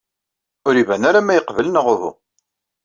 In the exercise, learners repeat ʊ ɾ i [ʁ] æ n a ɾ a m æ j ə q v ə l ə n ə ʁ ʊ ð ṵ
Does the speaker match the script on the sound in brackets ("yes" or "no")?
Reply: no